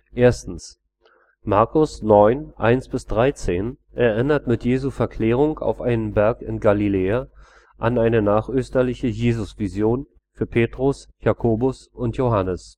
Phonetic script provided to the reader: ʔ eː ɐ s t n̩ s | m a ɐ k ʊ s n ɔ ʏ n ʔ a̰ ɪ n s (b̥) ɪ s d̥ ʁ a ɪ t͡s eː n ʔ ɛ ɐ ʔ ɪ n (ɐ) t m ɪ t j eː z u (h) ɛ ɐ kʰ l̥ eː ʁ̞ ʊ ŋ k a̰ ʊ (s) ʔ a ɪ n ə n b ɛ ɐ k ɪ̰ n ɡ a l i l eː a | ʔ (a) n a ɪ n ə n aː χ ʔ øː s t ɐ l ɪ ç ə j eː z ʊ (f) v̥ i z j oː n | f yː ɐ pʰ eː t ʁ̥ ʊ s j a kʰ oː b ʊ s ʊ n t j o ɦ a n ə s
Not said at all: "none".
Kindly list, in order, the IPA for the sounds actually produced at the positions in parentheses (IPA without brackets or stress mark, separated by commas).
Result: b̥, ɐ, f, f, a, s